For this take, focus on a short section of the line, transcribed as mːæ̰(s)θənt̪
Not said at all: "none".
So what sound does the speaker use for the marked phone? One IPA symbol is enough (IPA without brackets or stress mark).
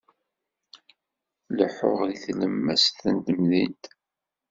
s